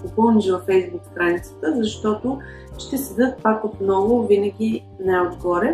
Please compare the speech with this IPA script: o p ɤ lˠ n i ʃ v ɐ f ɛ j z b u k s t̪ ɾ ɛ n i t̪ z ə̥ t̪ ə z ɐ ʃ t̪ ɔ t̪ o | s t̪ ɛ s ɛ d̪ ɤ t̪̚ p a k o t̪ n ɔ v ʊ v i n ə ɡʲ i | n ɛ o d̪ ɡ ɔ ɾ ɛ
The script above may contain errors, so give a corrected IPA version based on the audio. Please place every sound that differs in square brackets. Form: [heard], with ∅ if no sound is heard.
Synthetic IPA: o p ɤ lˠ n i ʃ v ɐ f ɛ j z b u k s t̪ ɾ [a] n i t̪ [s] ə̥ t̪ ə z ɐ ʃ t̪ ɔ t̪ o | [ʃ] t̪ ɛ s ɛ d̪ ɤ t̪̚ p a k o t̪ n ɔ v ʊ v i n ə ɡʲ i | n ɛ o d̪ ɡ ɔ ɾ ɛ